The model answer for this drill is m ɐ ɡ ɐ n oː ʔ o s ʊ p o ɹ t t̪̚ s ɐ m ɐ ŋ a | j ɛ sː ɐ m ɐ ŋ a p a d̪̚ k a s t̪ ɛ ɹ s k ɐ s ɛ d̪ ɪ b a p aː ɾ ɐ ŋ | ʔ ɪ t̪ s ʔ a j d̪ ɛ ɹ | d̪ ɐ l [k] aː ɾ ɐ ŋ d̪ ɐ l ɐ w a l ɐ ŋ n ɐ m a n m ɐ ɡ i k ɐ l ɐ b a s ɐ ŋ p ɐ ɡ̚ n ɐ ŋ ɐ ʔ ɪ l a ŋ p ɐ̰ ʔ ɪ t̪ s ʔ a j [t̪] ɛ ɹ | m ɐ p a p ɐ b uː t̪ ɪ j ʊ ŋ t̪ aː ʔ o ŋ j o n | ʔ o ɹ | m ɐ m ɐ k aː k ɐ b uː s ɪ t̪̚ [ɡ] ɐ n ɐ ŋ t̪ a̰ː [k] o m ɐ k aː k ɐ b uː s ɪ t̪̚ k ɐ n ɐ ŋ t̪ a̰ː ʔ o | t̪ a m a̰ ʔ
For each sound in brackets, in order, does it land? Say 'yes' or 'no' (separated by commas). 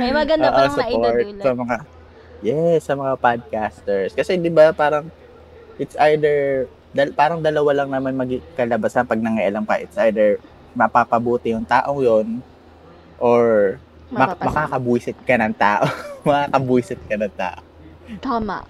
no, no, no, no